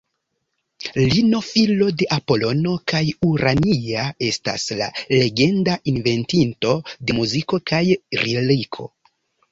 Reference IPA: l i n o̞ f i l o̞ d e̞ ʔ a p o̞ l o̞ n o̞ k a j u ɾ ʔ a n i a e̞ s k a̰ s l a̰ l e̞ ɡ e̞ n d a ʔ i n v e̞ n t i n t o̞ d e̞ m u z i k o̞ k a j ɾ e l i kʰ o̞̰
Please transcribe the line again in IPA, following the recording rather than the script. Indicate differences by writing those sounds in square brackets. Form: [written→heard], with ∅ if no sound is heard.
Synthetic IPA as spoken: l i n o̞ f i l o̞ d e̞ ʔ a p o̞ l o̞ n o̞ k a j u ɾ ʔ a n i a e̞ s [k→t] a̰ s l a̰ l e̞ ɡ e̞ n d a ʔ i n v e̞ n t i n t o̞ d e̞ m u z i k o̞ k a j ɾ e l i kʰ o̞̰